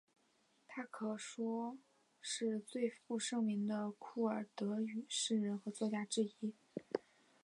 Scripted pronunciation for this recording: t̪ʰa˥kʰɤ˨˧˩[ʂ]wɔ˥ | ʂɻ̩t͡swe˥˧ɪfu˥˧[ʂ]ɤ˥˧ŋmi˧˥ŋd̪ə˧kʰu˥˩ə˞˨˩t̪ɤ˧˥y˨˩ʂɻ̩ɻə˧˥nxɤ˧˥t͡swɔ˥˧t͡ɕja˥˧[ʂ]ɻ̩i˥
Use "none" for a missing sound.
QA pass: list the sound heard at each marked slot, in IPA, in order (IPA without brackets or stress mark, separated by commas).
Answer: ʂ, ʂ, ʈ͡ʂ